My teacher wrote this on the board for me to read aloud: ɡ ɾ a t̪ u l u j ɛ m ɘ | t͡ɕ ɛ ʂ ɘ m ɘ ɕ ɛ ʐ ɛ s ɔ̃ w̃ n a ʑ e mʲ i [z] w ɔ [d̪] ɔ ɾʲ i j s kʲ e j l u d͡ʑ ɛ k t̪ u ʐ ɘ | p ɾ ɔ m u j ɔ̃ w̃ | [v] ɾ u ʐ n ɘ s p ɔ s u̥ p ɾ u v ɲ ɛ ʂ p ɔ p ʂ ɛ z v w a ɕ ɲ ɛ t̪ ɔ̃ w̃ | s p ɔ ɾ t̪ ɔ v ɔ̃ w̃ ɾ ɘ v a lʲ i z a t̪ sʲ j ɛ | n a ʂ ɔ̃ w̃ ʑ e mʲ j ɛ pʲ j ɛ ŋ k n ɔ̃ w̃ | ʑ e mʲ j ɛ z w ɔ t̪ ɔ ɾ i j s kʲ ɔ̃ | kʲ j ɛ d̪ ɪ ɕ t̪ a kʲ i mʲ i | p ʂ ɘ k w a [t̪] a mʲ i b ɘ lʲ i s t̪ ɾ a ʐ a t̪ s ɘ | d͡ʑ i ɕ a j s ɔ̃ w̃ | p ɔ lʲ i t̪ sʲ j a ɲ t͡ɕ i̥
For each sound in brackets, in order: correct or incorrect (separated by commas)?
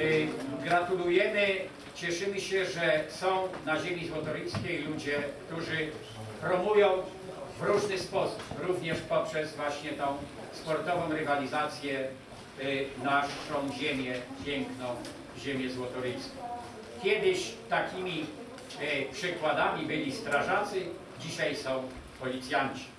correct, incorrect, correct, incorrect